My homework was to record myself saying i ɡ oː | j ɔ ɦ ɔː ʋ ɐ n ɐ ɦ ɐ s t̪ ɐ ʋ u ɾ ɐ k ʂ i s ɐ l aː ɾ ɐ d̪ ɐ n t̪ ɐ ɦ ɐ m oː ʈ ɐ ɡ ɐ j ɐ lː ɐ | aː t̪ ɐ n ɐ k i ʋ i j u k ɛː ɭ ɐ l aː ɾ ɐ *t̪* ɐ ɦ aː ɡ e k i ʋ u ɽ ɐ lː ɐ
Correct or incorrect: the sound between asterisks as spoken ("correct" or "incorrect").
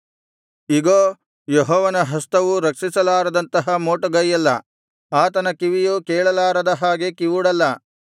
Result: incorrect